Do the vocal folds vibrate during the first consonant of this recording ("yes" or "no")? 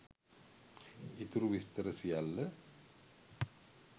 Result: no